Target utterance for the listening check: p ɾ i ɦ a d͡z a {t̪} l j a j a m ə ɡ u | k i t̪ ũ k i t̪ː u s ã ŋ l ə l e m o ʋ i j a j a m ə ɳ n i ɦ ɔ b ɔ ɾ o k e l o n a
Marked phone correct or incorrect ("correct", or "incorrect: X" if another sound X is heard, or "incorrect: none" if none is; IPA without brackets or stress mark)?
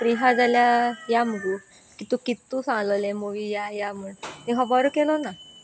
incorrect: none